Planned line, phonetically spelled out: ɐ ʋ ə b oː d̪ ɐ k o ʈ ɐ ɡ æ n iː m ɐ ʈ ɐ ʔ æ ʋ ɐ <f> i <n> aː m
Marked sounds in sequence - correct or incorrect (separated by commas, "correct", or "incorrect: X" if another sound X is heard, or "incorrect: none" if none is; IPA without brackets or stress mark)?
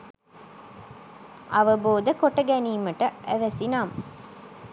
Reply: incorrect: s, correct